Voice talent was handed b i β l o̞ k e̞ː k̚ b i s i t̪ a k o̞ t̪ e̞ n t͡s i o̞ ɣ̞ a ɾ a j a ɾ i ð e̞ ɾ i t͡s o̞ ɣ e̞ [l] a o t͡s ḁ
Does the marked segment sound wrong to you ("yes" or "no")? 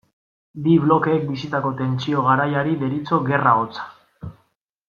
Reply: yes